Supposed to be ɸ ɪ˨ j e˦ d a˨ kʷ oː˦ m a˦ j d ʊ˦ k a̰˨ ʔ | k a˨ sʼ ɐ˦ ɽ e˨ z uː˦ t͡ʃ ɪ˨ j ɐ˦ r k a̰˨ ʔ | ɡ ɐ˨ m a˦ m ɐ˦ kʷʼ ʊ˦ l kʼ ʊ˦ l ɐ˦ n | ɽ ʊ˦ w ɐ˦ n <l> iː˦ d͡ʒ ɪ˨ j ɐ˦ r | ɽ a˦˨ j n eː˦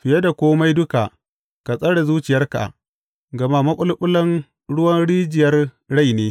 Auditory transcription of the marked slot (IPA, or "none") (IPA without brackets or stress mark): ɽ